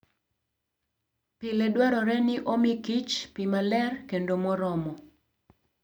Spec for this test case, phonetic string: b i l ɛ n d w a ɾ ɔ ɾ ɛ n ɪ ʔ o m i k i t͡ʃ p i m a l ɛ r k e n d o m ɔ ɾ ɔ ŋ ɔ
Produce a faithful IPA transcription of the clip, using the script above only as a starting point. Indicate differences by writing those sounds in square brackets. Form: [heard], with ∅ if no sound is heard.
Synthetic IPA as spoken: [p] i l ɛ [∅] d w a ɾ ɔ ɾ ɛ n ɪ ʔ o m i k i t͡ʃ p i m a l ɛ r k e n d o m ɔ ɾ ɔ [m] ɔ